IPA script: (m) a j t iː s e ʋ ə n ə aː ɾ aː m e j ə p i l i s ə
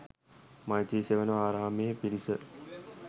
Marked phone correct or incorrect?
correct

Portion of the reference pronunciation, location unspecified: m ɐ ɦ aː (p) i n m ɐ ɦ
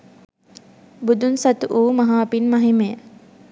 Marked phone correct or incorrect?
correct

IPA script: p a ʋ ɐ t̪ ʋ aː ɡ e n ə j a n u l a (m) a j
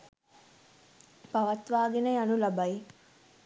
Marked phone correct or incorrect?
incorrect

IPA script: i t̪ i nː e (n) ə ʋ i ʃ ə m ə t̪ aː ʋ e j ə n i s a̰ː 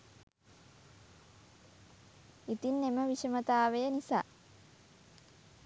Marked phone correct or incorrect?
incorrect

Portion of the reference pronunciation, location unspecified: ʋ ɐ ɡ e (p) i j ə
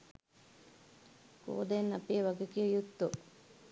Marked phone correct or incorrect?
incorrect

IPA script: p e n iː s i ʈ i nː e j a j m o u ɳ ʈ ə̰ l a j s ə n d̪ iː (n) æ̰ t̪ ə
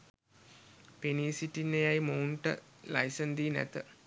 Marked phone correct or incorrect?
correct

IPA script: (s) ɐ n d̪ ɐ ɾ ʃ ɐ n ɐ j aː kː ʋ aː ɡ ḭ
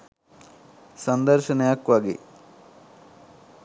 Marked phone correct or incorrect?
correct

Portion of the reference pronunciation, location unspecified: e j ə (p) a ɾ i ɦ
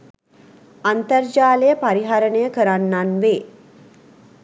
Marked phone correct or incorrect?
correct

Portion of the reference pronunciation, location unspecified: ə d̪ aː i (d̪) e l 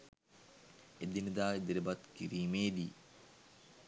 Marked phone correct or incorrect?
correct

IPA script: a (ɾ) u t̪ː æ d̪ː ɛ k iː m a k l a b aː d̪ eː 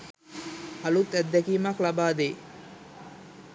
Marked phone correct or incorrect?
incorrect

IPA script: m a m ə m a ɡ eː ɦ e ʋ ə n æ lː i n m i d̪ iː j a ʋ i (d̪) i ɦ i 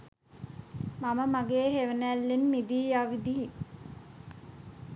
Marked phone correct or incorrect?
correct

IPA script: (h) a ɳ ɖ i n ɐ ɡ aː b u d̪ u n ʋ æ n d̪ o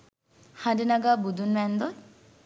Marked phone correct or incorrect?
correct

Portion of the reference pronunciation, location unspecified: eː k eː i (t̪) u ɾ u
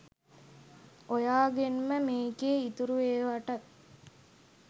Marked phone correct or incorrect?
correct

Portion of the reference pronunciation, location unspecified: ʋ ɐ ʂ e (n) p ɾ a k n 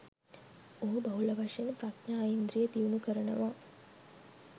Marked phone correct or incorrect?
correct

